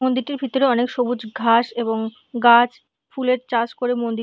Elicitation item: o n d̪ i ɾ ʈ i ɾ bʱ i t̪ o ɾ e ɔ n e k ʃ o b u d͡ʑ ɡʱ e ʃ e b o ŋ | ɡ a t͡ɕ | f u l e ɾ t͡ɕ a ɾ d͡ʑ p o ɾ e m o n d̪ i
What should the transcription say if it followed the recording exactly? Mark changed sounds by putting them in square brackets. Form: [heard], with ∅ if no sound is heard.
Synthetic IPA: o n d̪ i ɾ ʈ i ɾ bʱ i t̪ o ɾ e ɔ n e k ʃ o b u d͡ʑ ɡʱ [a] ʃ e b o ŋ | ɡ a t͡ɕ | f u l e ɾ t͡ɕ a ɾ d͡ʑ [k] o ɾ e m o n d̪ i

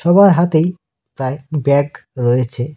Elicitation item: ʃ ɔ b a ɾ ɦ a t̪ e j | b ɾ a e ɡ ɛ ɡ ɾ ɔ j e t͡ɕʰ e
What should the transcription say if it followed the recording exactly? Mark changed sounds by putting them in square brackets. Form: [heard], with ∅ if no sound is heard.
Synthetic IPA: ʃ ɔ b a ɾ ɦ a t̪ e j | [p] ɾ a e [b] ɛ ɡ ɾ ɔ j e t͡ɕʰ e

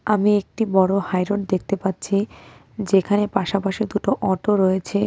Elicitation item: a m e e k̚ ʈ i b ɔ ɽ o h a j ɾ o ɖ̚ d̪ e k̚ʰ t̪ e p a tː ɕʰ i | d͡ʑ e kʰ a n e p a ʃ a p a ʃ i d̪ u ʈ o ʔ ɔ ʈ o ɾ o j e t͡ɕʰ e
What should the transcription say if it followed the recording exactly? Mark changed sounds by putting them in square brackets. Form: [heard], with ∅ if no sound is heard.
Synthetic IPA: a m [i] e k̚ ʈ i b ɔ ɽ o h a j ɾ o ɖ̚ d̪ e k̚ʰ t̪ e p a tː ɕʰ i | d͡ʑ e kʰ a n e p a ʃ a p a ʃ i d̪ u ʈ o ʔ ɔ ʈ o ɾ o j e t͡ɕʰ e

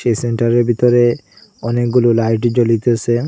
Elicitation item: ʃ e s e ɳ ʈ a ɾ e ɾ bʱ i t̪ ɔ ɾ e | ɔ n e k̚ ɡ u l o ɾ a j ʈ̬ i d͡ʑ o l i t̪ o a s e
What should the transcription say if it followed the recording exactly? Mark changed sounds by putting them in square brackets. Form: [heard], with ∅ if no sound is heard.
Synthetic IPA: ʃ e s e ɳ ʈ a ɾ e ɾ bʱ i t̪ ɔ ɾ e | ɔ n e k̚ ɡ u l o [l] a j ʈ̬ i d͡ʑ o l i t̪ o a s e

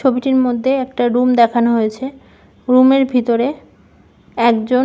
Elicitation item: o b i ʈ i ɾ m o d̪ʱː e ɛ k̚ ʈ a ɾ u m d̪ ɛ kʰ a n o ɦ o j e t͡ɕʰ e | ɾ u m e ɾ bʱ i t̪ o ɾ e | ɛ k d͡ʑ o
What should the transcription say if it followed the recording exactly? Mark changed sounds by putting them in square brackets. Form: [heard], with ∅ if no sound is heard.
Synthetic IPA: o b i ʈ i ɾ m o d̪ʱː e ɛ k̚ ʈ a ɾ u m d̪ ɛ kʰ a n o ɦ o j e t͡ɕʰ e | ɾ u m e ɾ bʱ i t̪ o ɾ e | ɛ k d͡ʑ o

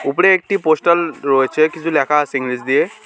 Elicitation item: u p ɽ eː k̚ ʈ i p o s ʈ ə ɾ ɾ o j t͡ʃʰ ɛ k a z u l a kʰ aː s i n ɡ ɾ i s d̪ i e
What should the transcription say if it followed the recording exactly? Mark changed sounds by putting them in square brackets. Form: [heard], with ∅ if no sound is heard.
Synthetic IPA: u p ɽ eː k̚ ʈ i p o s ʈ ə [l] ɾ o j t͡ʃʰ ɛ k [i] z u l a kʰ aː s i [ŋ] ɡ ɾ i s d̪ i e

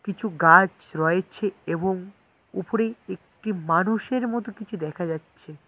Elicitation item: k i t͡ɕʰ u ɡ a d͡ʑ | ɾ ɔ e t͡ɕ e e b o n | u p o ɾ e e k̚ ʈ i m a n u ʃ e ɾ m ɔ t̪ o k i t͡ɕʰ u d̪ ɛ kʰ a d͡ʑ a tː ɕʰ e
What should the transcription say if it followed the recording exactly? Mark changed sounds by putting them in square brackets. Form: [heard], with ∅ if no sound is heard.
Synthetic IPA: k i t͡ɕʰ u ɡ a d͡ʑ | ɾ ɔ e [t͡ɕʰ] e e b o [ŋ] | u p o ɾ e e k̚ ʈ i m a n u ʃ e ɾ m ɔ t̪ o k i t͡ɕʰ u d̪ ɛ kʰ a d͡ʑ a tː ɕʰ e

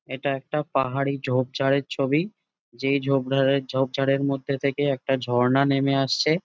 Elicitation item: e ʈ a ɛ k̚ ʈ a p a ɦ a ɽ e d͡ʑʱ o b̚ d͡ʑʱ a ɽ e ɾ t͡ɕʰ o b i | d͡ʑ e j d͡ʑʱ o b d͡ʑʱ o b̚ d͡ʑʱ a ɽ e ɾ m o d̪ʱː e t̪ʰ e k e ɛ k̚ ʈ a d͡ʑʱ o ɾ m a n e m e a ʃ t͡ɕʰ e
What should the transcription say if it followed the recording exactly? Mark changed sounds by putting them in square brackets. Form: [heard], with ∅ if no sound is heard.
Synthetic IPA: e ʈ a ɛ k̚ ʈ a p a ɦ a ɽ [i] d͡ʑʱ o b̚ d͡ʑʱ a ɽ e ɾ t͡ɕʰ o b i | d͡ʑ e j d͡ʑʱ o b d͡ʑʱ o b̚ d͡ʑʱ a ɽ e ɾ m o d̪ʱː e t̪ʰ e k e ɛ k̚ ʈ a d͡ʑʱ [ɔ] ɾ [n] a n e m e a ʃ t͡ɕʰ e

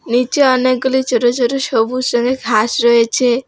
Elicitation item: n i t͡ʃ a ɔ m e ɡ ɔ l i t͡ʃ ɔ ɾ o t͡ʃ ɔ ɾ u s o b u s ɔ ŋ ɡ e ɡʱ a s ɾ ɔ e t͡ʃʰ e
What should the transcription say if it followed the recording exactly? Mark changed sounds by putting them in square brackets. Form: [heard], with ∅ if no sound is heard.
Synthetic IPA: n i t͡ʃ [e] ɔ [n] e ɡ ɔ l i t͡ʃ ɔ ɾ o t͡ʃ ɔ ɾ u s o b u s ɔ ŋ ɡ e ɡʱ a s ɾ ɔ e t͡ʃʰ e

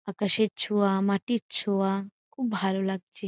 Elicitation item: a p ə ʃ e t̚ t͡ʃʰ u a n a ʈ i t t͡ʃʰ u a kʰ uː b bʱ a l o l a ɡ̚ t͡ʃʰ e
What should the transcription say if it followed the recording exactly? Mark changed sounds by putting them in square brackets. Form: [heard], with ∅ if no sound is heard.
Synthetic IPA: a [k] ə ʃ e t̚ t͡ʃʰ u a [m] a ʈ i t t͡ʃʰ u a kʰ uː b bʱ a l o l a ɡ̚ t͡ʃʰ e

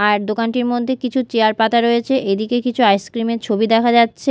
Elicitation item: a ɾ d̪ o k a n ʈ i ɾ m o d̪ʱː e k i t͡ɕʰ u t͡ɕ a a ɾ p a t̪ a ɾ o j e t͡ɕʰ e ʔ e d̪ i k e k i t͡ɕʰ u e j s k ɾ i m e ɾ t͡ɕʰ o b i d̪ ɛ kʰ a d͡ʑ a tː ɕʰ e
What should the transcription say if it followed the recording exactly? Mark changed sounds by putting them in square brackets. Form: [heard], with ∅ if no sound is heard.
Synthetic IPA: a ɾ d̪ o k a n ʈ i ɾ m o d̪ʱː e k i t͡ɕʰ u t͡ɕ [e] a ɾ p a t̪ a ɾ o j e t͡ɕʰ e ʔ e d̪ i k e k i t͡ɕʰ u [a] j s k ɾ i m e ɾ t͡ɕʰ o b i d̪ ɛ kʰ a d͡ʑ a tː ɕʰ e

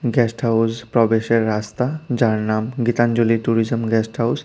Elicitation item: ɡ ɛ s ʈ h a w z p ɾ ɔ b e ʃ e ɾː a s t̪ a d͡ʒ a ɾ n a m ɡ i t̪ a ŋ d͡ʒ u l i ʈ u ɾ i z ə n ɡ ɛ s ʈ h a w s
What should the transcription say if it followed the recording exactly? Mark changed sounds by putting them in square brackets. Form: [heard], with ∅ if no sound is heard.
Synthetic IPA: ɡ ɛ s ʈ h a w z p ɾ ɔ b e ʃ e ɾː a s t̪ a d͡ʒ a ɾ n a m ɡ i t̪ a [n] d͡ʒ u l i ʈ u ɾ i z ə [m] ɡ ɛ s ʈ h a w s

